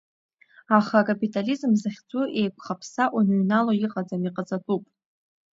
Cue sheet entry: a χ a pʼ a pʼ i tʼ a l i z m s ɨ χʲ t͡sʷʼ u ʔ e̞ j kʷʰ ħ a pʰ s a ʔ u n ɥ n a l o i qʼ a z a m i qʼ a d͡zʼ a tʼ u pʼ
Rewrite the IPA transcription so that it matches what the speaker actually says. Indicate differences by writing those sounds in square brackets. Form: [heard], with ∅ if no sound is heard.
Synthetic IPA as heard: a χ a [kʼ] a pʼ i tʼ a l i z m [z] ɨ χʲ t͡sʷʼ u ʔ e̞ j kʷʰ [χ] a pʰ s a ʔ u n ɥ n a l o i qʼ a [d͡z] a m i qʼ a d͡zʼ a tʼ u pʼ